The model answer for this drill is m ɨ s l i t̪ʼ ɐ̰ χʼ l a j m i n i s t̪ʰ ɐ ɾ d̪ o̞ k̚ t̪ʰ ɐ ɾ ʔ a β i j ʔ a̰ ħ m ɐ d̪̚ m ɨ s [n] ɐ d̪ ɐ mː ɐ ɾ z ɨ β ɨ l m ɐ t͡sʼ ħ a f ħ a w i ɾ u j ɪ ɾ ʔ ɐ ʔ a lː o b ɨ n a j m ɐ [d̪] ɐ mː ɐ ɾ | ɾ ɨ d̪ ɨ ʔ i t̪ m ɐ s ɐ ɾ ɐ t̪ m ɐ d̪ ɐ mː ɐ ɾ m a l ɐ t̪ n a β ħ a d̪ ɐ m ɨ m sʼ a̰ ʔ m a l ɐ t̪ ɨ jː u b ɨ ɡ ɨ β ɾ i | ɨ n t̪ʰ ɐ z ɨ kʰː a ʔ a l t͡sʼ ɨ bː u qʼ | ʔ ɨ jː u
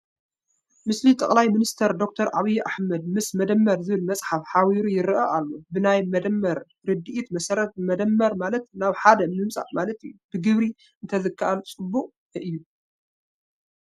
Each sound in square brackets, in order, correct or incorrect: incorrect: m, correct

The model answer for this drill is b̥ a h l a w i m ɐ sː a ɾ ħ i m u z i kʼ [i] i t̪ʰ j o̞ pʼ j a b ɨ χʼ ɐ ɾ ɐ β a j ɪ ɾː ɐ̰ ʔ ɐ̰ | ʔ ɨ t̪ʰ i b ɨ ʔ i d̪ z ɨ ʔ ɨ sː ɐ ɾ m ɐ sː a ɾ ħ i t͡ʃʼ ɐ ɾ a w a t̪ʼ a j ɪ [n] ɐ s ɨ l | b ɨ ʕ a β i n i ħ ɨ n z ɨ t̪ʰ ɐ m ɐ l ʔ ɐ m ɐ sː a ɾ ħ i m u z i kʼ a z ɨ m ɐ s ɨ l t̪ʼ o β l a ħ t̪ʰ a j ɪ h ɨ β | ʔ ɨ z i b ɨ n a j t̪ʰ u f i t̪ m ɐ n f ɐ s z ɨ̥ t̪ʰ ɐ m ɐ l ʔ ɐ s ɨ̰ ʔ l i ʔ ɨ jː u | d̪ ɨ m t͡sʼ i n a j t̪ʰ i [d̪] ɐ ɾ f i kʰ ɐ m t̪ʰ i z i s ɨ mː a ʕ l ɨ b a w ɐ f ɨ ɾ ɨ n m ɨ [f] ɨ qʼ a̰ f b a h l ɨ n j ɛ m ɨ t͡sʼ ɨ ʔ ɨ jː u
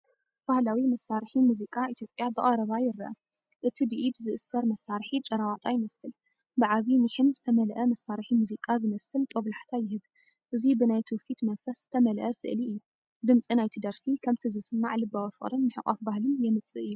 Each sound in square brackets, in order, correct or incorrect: incorrect: a, incorrect: m, correct, incorrect: ħ

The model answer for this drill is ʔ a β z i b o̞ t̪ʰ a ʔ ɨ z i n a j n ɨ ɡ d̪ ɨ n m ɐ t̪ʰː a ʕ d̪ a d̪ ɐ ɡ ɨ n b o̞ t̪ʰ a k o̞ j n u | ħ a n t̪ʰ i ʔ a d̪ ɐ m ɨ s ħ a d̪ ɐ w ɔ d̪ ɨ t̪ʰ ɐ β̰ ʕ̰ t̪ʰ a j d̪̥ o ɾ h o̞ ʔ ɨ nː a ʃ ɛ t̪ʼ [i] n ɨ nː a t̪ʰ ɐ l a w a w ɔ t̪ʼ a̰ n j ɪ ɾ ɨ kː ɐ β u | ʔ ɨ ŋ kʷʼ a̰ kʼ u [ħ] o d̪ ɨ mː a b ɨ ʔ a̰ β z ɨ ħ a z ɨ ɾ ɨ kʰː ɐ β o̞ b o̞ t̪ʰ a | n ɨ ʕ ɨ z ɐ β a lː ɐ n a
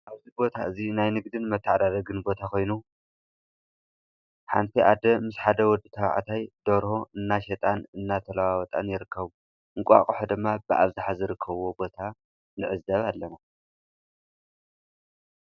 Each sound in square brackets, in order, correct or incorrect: incorrect: a, correct

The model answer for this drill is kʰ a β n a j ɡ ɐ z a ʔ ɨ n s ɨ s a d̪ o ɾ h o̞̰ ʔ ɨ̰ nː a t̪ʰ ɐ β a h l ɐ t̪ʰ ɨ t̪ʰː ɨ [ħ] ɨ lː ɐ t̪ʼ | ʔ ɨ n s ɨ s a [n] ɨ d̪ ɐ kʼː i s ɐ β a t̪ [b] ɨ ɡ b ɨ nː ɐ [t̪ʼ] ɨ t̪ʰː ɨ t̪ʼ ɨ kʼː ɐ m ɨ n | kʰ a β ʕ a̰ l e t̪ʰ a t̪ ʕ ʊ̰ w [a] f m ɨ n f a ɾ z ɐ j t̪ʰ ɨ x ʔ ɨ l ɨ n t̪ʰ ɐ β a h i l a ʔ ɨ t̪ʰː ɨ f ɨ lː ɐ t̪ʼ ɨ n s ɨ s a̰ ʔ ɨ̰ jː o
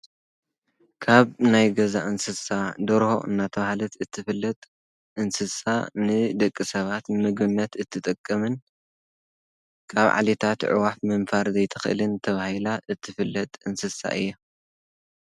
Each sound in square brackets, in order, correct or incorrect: incorrect: f, correct, incorrect: m, incorrect: t̪, correct

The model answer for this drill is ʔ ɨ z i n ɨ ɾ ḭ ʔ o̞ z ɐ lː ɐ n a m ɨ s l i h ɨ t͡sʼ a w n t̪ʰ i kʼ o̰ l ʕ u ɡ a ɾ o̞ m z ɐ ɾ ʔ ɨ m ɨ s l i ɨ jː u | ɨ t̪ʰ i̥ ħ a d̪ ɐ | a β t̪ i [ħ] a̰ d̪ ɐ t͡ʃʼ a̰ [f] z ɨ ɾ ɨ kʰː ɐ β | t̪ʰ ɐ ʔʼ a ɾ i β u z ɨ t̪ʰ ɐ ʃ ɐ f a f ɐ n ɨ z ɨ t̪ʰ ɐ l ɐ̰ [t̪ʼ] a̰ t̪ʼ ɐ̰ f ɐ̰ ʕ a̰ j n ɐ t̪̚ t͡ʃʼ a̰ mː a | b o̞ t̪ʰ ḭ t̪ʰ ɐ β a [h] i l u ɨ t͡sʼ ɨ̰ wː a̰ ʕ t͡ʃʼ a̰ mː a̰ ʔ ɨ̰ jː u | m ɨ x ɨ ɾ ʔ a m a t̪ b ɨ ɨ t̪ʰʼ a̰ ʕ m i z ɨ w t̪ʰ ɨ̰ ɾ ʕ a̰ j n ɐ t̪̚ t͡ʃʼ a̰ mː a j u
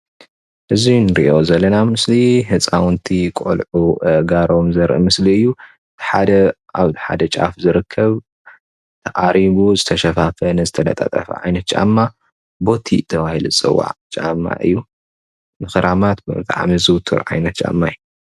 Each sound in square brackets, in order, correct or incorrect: correct, correct, correct, correct

